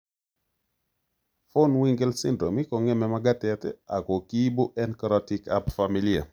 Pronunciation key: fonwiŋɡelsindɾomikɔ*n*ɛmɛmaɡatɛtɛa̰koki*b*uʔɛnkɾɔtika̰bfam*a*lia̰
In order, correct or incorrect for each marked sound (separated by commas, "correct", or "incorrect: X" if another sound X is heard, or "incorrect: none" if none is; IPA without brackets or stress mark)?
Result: incorrect: ŋ, correct, incorrect: i